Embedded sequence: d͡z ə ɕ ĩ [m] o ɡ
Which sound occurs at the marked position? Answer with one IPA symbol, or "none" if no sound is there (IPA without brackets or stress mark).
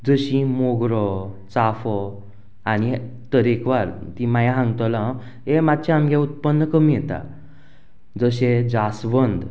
m